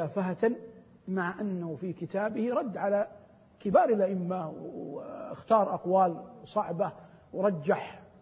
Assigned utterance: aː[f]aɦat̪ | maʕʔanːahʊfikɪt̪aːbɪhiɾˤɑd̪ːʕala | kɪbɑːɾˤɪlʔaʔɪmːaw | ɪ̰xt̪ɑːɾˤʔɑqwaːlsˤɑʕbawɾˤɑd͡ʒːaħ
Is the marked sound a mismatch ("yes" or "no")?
no